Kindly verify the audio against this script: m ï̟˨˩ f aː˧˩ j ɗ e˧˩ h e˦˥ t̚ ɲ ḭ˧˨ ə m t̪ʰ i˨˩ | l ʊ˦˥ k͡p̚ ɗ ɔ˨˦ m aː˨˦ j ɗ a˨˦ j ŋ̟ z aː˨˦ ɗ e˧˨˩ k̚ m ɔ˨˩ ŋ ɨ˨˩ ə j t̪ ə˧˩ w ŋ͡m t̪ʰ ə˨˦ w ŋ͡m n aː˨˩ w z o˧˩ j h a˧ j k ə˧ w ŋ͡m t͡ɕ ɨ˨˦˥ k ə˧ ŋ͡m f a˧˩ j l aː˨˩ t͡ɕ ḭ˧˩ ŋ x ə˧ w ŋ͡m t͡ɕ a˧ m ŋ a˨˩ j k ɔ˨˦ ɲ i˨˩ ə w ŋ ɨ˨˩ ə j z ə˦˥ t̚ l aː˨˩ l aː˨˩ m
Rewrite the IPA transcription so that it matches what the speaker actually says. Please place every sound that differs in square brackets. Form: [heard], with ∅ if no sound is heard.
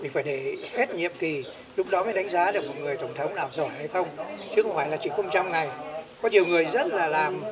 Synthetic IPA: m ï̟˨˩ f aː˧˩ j ɗ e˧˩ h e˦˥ t̚ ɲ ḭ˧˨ ə m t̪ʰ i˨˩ | l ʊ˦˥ k͡p̚ ɗ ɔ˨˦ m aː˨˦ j ɗ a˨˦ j ŋ̟ z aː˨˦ ɗ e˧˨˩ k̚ m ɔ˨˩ ŋ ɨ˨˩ ə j t̪ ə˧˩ w ŋ͡m t̪ʰ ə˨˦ w ŋ͡m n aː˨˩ w z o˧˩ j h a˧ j [x] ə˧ w ŋ͡m t͡ɕ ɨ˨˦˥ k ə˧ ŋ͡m f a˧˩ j l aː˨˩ t͡ɕ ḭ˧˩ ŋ x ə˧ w ŋ͡m t͡ɕ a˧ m ŋ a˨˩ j k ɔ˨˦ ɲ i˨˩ ə w ŋ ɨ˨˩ ə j z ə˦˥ t̚ l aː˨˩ l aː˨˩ m